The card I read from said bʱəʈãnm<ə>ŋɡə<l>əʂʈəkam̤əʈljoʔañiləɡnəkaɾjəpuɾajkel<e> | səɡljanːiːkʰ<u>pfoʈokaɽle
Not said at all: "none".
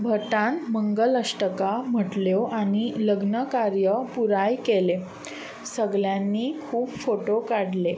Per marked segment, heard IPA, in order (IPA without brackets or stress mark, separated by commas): ə, l, e, uː